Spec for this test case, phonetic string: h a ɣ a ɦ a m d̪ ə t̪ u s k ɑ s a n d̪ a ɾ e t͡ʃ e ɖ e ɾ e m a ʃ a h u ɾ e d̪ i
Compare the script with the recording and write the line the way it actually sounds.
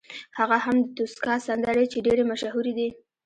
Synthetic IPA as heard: h a ɣ a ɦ a m d̪ ə t̪ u s k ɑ s a n d̪ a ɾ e t͡ʃ e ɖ e ɾ e m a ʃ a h u ɾ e d̪ i